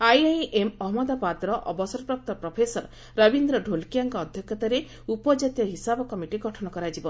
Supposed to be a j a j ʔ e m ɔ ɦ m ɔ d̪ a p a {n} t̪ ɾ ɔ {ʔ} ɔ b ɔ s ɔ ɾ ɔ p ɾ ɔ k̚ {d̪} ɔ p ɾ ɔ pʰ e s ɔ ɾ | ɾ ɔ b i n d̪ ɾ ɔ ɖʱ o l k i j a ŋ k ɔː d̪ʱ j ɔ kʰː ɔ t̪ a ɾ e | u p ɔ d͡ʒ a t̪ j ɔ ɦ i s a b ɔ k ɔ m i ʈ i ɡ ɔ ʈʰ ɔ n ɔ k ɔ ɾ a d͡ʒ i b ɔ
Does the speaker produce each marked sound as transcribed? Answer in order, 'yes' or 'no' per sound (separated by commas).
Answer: no, yes, no